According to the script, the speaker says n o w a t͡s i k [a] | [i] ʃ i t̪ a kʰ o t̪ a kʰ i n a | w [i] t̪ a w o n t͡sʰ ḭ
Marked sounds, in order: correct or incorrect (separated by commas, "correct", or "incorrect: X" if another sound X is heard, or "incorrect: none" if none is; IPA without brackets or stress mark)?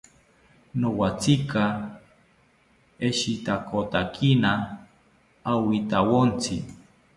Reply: correct, incorrect: e, correct